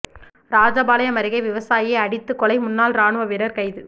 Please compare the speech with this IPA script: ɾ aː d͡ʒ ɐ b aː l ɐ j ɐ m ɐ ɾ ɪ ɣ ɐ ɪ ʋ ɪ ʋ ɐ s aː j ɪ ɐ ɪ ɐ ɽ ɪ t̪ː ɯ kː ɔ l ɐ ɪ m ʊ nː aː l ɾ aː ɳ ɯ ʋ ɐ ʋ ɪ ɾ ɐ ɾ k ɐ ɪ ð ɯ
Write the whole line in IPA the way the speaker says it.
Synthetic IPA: ɾ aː d͡ʒ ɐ b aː l ɐ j ɐ m ɐ ɾ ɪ ɣ ɐ ɪ ʋ ɪ ʋ ɐ s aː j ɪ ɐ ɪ ɐ ɽ ɪ t̪ː ɯ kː ɔ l ɐ ɪ m ʊ nː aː l ɾ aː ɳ ɯ ʋ ɐ ʋ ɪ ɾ ɐ ɾ k ɐ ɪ ð ɯ

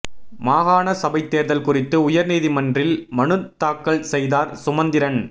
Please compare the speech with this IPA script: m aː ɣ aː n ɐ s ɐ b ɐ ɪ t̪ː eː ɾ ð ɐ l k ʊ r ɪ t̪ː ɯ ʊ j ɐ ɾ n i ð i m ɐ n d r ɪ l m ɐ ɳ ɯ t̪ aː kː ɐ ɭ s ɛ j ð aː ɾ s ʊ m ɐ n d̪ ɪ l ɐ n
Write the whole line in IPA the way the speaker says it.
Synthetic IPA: m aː ɣ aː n ɐ s ɐ b ɐ ɪ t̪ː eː ɾ ð ɐ l k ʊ r ɪ t̪ː ɯ ʊ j ɐ ɾ n iː ð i m ɐ n d r ɪ l m ɐ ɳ ɯ t̪ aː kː ɐ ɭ s ɛ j ð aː ɾ s ʊ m ɐ n d̪ ɪ ɾ ɐ n

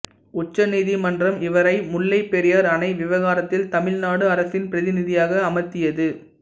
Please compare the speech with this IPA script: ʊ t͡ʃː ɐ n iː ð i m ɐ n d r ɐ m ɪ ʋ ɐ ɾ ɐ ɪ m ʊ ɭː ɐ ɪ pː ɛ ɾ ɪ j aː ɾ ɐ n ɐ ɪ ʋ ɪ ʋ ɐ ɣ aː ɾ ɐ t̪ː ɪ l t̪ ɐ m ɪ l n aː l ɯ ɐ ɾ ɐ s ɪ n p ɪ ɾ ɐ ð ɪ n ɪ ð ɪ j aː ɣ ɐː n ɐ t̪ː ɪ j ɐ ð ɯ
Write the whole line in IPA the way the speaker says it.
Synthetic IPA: ʊ t͡ʃː ɐ n iː ð i m ɐ n d r ɐ m ɪ ʋ ɐ ɾ ɐ ɪ m ʊ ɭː ɐ ɪ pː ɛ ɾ ɪ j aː ɾ ɐ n ɐ ɪ ʋ ɪ ʋ ɐ ɣ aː ɾ ɐ t̪ː ɪ l t̪ ɐ m ɪ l n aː ɽ ɯ ɐ ɾ ɐ s ɪ n p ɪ ɾ ɐ ð ɪ n ɪ ð ɪ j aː ɣ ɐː m ɐ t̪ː ɪ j ɐ ð ɯ

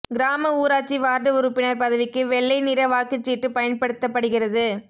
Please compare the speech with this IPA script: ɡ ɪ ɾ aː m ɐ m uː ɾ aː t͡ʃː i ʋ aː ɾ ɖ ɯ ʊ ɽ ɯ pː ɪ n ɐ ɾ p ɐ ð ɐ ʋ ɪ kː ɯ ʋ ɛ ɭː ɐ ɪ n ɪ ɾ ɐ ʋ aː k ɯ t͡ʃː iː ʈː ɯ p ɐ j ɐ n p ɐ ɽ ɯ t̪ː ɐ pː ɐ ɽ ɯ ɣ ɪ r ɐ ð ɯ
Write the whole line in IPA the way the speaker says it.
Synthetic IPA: ɡ ɪ ɾ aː m ɐ uː ɾ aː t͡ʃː i ʋ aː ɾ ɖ ɯ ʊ ɾ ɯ pː ɪ n ɐ ɾ p ɐ ð ɐ ʋ ɪ kː ɯ ʋ ɛ ɭː ɐ ɪ n ɪ ɾ ɐ ʋ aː k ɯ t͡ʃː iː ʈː ɯ p ɐ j ɐ n p ɐ ɽ ɯ t̪ː ɐ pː ɐ ɽ ɯ ɣ ɪ r ɐ ð ɯ

